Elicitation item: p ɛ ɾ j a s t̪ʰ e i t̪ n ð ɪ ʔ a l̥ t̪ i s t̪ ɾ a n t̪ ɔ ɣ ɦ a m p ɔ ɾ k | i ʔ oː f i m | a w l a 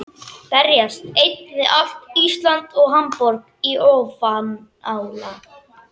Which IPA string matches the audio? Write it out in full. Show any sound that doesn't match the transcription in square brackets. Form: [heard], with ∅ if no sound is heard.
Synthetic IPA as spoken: p ɛ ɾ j a s [t̪] e [j] t̪ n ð ɪ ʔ a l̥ t̪ i s t̪ [l] a n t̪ ɔ ɣ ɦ a m p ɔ ɾ k | i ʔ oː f [a] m | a w l a